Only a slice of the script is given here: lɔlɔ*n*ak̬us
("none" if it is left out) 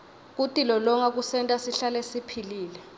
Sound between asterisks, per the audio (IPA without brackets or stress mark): ŋ